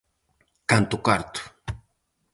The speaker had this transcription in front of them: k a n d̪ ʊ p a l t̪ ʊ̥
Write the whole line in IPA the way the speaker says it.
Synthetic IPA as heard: k a n t̪ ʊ k a ɾ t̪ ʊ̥

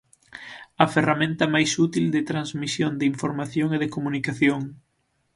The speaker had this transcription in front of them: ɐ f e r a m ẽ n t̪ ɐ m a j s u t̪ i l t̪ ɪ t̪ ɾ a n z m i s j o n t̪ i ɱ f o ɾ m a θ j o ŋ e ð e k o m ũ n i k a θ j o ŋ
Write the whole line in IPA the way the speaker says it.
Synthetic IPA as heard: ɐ f e r a m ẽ n t̪ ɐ m a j s u t̪ i l d̪ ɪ t̪ ɾ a n z m i s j o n d̪ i ɱ f o ɾ m a θ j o ŋ e ð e k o m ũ n i k a θ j o ŋ

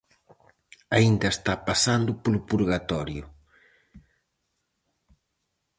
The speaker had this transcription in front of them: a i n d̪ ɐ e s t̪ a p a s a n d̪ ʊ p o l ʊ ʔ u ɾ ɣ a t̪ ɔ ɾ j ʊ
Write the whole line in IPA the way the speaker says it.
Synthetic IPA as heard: a i n d̪ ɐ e s t̪ a p a s a n d̪ ʊ p o l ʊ p u ɾ ɣ a t̪ ɔ ɾ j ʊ

